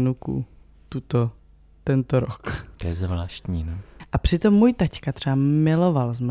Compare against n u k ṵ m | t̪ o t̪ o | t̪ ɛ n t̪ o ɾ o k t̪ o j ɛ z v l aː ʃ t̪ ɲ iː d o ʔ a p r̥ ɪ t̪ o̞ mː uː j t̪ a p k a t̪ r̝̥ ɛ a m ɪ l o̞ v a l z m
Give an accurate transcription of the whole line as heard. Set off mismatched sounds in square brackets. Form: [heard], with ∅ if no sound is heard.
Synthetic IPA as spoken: n u k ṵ [∅] | t̪ [u] t̪ o | t̪ ɛ n t̪ o ɾ o k t̪ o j ɛ z v l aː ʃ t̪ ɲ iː [n] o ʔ a p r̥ ɪ t̪ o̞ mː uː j t̪ a [c] k a t̪ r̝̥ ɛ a m ɪ l o̞ v a l z m